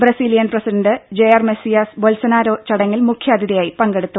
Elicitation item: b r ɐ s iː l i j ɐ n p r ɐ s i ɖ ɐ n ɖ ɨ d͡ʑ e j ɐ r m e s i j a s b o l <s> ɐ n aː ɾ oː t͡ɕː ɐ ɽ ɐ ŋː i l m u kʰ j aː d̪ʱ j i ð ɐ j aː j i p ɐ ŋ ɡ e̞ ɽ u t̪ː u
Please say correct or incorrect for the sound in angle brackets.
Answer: correct